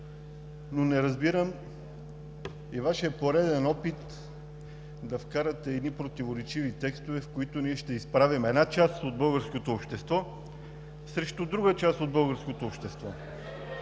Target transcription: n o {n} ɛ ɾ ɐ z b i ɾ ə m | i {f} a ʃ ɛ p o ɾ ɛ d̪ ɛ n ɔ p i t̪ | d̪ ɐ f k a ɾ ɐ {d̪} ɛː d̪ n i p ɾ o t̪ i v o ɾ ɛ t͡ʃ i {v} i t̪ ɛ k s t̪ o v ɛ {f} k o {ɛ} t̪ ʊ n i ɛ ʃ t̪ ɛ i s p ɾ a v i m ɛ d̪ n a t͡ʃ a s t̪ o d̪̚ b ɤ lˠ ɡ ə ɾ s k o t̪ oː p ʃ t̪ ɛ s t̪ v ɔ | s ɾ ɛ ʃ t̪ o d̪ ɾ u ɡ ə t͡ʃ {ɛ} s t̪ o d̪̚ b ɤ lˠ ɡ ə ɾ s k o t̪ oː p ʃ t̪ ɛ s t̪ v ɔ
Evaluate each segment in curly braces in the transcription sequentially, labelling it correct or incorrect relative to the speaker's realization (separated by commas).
correct, incorrect, incorrect, correct, correct, incorrect, incorrect